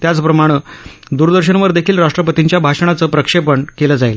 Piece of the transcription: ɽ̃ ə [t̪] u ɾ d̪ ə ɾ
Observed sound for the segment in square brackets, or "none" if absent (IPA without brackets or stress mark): d̪